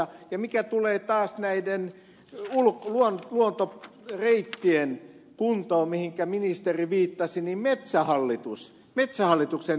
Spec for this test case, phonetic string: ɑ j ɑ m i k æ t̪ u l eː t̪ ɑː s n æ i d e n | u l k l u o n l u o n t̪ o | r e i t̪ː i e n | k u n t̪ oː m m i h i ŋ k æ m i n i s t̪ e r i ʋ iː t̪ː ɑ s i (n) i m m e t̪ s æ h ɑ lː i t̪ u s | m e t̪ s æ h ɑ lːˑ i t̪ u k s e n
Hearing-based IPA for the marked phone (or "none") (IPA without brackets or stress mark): n